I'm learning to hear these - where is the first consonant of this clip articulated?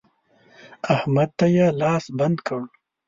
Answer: throat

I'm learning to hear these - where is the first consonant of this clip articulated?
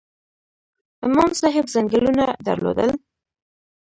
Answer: lips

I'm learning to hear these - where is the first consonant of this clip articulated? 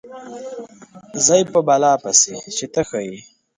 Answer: tongue tip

